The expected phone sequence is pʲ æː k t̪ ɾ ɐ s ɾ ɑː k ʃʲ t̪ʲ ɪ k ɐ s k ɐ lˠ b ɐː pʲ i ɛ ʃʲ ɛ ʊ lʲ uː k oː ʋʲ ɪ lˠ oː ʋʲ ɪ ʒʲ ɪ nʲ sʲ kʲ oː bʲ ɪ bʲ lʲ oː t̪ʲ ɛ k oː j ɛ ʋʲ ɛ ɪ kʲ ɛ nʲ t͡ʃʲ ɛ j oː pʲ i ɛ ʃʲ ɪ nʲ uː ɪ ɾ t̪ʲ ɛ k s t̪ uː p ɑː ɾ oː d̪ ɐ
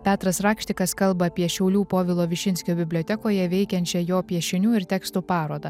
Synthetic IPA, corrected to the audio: pʲ æː t̪ ɾ ɐ s ɾ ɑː k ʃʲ t̪ʲ ɪ k ɐ s k ɐ lˠ b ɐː pʲ i ɛ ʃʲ ɛ ʊ lʲ uː p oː ʋʲ ɪ lˠ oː ʋʲ ɪ ʃʲ ɪ nʲ sʲ kʲ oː bʲ ɪ bʲ lʲ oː t̪ʲ ɛ k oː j ɛ ʋʲ ɛ ɪ kʲ ɛ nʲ t͡ʃʲ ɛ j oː pʲ i ɛ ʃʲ ɪ nʲ uː ɪ ɾ t̪ʲ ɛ k s t̪ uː p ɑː ɾ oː d̪ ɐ